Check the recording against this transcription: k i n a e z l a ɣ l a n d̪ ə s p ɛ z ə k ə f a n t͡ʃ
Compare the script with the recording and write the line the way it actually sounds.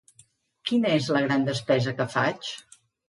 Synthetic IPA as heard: k i n ə e z l ə ɣ ɾ a n d̪ ə s p ɛ z ə k ə f a t͡ʃ